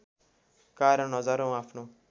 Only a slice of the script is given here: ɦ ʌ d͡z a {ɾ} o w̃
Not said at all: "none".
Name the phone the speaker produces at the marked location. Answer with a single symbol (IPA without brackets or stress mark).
ɾ